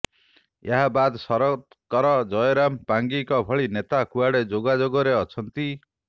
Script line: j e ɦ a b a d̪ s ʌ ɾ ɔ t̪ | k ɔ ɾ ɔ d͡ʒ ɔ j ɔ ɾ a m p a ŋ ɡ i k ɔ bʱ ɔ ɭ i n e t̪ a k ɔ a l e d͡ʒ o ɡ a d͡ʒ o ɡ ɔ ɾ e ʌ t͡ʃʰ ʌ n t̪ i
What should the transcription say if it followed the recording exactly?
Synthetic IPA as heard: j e ɦ a b a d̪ s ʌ ɾ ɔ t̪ | k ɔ ɾ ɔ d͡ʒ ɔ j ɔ ɾ a m p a ŋ ɡ i k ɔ bʱ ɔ ɭ i n e t̪ a k u a ɽ e d͡ʒ o ɡ a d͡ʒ o ɡ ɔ ɾ e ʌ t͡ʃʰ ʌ n t̪ i